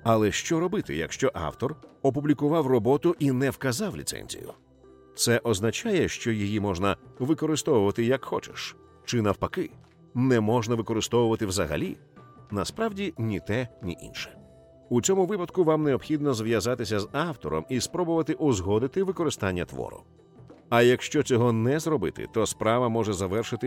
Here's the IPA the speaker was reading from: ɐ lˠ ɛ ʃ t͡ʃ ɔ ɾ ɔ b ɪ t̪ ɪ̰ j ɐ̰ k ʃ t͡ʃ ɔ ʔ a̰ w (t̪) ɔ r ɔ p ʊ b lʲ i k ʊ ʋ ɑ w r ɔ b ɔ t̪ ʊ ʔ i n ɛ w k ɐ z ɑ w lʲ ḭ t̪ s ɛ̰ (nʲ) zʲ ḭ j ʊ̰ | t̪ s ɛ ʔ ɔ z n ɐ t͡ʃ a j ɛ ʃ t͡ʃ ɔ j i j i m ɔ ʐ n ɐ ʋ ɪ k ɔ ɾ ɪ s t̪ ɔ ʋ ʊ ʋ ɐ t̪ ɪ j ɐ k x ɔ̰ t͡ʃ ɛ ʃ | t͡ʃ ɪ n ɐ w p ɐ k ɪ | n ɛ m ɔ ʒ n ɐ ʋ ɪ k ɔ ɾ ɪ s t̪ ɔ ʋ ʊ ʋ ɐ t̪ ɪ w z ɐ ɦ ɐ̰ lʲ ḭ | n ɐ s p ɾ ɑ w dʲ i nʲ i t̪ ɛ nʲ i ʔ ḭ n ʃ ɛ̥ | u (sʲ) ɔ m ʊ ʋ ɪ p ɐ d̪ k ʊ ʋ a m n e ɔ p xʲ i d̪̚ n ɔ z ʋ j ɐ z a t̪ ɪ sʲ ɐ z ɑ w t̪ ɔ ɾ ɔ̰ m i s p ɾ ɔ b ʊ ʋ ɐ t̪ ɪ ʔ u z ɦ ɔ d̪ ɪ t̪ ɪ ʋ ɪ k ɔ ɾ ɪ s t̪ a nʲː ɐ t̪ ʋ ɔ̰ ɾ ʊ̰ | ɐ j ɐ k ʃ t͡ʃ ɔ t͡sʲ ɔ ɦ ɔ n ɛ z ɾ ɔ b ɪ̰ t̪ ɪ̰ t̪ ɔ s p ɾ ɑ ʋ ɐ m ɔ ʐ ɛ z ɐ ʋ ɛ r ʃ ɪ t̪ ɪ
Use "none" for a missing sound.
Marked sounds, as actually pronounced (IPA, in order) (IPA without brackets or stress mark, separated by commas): t̪, nʲ, t͡sʲ